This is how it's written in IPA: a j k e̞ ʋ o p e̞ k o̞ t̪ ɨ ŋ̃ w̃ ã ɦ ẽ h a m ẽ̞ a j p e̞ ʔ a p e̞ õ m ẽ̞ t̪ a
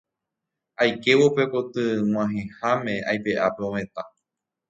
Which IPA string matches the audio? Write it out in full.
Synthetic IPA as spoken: a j k e̞ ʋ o p e̞ k o̞ t̪ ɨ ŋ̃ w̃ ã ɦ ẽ h a m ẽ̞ a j p e̞ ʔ a p e̞ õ m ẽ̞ t̪ a